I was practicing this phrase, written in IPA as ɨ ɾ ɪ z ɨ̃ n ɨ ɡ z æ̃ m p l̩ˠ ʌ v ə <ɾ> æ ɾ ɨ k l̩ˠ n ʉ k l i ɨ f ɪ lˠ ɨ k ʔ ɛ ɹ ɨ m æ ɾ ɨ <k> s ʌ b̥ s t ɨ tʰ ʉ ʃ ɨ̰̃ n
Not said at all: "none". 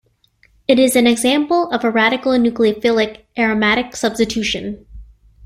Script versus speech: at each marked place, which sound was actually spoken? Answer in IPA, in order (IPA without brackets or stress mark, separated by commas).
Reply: ɹ, k